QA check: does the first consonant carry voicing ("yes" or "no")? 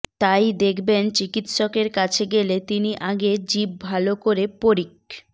no